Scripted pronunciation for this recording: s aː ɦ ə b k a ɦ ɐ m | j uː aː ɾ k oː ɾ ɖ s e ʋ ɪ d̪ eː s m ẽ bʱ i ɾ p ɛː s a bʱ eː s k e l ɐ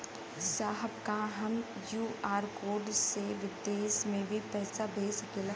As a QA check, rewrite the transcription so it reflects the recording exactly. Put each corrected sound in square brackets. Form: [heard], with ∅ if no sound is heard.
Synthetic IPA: s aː ɦ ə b k a ɦ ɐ m | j uː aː ɾ k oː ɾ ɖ s e ʋ ɪ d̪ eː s m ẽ bʱ i [∅] p ɛː s a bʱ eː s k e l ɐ